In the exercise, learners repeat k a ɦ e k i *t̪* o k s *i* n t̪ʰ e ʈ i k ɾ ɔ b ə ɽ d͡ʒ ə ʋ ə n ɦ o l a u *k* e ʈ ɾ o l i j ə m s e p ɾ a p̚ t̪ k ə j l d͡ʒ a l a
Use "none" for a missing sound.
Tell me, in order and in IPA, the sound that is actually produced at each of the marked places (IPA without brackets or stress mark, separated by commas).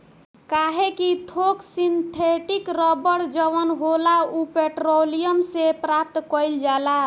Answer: t̪ʰ, i, p